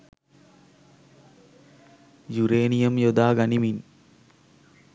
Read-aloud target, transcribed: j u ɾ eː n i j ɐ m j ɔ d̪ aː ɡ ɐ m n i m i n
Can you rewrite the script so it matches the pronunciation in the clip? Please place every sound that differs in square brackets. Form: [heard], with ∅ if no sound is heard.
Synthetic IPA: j u ɾ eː n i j ɐ m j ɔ d̪ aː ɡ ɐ [∅] n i m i n